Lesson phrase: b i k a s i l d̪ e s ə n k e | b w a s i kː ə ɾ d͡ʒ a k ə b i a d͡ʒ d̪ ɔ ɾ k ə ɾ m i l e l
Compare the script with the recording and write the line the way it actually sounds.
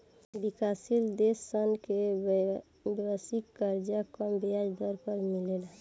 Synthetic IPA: b i k a s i l d̪ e s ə n k e | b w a s i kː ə ɾ d͡ʒ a k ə b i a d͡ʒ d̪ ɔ ɾ k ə ɾ m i l e l